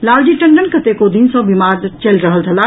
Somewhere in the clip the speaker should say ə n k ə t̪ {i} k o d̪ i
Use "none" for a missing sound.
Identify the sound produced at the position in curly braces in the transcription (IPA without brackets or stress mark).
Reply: e